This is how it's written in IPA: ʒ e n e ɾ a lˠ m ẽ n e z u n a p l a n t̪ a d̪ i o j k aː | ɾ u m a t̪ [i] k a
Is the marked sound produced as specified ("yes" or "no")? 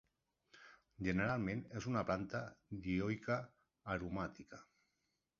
yes